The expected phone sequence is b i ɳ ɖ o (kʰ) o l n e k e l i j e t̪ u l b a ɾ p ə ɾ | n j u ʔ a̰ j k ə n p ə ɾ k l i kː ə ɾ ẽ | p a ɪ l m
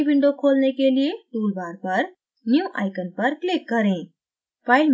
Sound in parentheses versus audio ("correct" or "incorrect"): correct